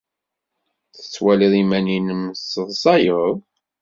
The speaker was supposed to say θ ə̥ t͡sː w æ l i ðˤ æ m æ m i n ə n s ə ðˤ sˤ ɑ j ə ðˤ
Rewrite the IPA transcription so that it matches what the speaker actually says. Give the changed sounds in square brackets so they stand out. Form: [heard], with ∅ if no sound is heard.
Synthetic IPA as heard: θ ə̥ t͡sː w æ l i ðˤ [i] m æ [n] i n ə [m] s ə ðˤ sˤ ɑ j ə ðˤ